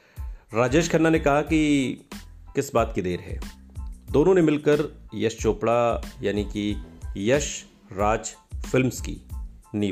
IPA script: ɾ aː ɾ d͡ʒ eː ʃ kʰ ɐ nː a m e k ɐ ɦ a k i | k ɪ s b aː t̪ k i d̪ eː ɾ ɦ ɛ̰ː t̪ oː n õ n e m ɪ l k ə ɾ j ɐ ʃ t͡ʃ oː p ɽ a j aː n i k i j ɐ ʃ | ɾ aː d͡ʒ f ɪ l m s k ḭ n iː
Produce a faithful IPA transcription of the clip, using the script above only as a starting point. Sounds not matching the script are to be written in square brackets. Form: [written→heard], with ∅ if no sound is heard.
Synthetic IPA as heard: ɾ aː [ɾ→∅] d͡ʒ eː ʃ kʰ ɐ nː a [m→n] e k ɐ ɦ a k i | k ɪ s b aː t̪ k i d̪ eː ɾ ɦ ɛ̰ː [t̪→d̪] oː n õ n e m ɪ l k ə ɾ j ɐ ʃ t͡ʃ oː p ɽ a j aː n i k i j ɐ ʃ | ɾ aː d͡ʒ f ɪ l m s k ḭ n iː